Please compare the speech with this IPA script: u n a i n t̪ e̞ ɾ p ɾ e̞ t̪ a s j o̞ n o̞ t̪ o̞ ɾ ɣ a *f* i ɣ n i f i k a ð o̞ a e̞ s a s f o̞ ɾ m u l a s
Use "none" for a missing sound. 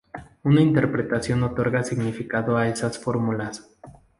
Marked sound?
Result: s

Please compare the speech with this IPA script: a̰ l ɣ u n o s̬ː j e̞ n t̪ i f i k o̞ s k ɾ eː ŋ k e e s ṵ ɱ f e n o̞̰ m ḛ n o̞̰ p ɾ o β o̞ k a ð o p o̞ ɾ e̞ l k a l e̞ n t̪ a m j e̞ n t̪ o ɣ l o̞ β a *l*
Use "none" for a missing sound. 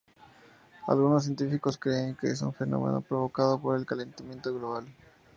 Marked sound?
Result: l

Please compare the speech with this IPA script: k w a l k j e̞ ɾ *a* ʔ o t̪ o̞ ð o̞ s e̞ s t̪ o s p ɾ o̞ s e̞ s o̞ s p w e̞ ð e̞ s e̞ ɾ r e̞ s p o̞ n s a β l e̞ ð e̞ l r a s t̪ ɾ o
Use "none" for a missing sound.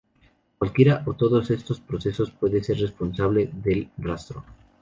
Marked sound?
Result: a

